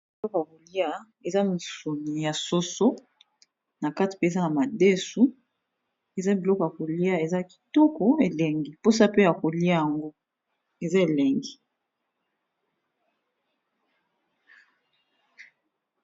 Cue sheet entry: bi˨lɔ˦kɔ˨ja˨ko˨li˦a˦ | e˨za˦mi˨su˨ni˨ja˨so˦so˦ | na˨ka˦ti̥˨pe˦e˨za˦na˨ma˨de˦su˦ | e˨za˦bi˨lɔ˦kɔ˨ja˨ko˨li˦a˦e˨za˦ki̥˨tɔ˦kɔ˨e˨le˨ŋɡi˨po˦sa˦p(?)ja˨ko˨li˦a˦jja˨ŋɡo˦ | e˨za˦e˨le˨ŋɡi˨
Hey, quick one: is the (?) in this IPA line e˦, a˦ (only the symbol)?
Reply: e˦